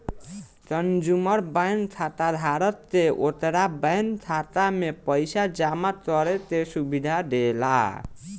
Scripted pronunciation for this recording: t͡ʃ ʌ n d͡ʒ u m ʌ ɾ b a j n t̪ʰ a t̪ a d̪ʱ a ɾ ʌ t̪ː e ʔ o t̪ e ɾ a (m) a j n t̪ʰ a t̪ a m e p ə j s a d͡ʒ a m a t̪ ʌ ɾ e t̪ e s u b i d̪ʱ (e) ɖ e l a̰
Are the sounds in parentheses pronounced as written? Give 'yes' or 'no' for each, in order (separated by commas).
no, no